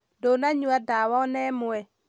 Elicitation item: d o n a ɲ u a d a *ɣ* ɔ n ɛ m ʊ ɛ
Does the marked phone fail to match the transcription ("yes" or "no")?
yes